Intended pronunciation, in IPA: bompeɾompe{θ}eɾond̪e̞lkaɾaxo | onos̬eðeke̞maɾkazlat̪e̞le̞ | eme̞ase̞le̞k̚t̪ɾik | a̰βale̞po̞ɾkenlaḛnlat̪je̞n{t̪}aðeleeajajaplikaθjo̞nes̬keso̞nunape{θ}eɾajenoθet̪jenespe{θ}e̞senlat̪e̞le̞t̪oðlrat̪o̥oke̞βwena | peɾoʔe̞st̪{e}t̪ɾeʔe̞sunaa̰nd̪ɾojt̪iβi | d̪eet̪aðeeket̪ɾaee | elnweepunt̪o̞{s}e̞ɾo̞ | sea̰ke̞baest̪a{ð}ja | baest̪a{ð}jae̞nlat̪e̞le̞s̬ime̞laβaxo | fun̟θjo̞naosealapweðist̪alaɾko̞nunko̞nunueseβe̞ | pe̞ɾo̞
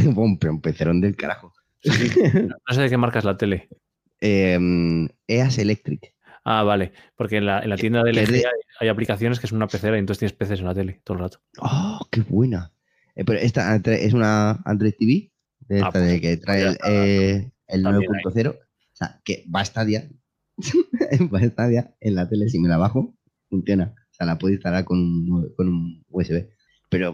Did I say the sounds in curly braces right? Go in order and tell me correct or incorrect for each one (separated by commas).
correct, incorrect, correct, correct, incorrect, incorrect, correct, correct